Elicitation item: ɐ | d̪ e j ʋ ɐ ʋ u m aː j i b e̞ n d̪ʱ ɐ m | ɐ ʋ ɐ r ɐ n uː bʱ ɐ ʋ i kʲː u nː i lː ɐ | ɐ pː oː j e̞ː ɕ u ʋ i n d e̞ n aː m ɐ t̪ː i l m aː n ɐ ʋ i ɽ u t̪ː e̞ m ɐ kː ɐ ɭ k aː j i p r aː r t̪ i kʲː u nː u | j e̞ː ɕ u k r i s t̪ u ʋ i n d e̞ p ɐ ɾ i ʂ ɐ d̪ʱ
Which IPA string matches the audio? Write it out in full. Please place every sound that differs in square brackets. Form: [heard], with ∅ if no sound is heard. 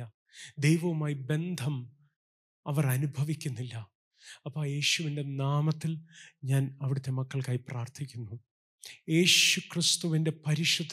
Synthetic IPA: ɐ | d̪ e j ʋ ɐ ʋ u m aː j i b e̞ n d̪ʱ ɐ m | ɐ ʋ ɐ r ɐ n [u] bʱ ɐ ʋ i kʲː u nː i lː ɐ | ɐ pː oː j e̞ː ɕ u ʋ i n d e̞ n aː m ɐ t̪ː i l [ɲ] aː n ɐ ʋ i ɽ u t̪ː e̞ m ɐ kː ɐ ɭ k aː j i p r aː r [t̪ʰ] i kʲː u nː u | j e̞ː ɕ u k r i s t̪ u ʋ i n d e̞ p ɐ ɾ i ʂ ɐ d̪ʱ